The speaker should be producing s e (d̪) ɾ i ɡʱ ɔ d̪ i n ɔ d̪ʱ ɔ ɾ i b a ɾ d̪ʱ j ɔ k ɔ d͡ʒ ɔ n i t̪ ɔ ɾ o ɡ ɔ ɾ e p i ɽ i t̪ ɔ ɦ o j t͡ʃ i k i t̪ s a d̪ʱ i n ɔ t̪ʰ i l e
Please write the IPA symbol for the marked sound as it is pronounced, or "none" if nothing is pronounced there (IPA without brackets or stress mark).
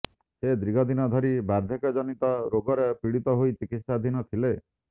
d̪